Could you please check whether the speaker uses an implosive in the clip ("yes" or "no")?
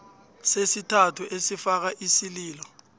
no